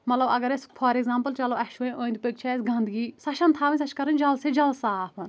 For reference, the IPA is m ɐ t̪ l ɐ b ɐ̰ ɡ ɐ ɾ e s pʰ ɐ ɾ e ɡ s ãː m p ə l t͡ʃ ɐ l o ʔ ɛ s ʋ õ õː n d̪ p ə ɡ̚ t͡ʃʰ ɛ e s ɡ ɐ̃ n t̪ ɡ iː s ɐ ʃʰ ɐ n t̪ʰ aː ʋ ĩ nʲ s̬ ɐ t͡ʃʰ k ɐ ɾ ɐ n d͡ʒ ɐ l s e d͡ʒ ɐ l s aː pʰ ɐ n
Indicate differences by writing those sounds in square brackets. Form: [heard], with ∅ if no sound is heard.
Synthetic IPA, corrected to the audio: m ɐ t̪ l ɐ b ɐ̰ ɡ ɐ ɾ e s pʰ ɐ ɾ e ɡ [z] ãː m p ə l t͡ʃ ɐ l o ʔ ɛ [ʃ] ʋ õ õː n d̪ p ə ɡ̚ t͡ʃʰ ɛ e s ɡ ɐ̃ n [d̪] ɡ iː s ɐ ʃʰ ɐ n t̪ʰ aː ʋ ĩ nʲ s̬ ɐ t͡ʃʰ k ɐ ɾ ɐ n d͡ʒ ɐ l s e d͡ʒ ɐ l s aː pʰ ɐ n